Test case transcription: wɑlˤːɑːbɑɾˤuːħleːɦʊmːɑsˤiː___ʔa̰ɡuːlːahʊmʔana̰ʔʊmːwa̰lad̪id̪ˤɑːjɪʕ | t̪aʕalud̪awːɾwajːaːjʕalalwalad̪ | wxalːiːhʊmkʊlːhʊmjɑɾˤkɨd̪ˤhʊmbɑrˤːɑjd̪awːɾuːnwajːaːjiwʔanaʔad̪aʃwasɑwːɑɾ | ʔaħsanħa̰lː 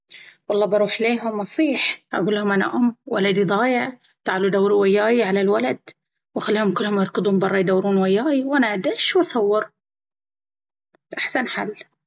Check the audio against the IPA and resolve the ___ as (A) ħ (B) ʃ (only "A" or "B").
A